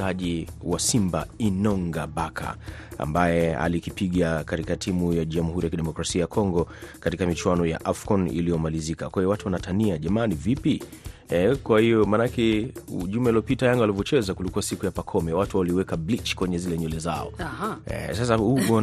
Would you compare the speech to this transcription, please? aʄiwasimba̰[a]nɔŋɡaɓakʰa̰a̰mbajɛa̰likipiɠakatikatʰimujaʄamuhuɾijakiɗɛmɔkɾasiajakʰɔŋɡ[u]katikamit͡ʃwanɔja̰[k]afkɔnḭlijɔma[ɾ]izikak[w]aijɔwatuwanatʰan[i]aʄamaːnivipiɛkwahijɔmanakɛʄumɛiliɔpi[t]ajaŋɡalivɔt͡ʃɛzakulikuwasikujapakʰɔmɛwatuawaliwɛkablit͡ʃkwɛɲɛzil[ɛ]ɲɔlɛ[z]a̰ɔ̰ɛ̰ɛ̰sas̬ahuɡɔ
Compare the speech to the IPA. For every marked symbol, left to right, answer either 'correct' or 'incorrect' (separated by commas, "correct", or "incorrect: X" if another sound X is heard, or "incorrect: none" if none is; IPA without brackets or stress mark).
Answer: incorrect: i, incorrect: ɔ, incorrect: ʔ, incorrect: l, correct, correct, correct, correct, correct